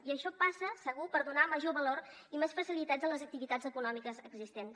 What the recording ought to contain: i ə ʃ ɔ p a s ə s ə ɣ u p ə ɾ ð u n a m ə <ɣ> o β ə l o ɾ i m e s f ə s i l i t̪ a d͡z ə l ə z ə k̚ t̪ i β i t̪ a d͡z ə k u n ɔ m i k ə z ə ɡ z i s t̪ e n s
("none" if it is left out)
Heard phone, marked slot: ʒ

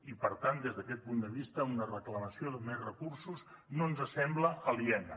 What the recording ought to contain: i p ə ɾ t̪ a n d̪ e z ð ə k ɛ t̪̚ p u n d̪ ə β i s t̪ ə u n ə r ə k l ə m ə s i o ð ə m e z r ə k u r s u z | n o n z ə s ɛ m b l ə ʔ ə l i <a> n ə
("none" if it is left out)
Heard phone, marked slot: ɛ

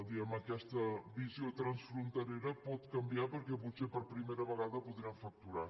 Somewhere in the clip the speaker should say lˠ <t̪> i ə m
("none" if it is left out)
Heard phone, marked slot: d̪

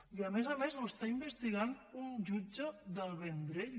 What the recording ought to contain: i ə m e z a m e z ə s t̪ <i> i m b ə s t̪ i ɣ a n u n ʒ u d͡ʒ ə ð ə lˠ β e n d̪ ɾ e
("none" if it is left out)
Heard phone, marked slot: a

